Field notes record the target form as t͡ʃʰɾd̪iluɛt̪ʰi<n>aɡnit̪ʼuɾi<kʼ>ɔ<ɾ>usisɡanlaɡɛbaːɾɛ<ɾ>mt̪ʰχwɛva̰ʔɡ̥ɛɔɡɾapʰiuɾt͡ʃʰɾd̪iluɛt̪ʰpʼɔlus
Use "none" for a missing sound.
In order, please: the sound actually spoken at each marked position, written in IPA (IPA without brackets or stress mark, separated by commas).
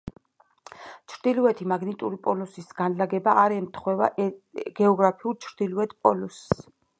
m, pʼ, l, none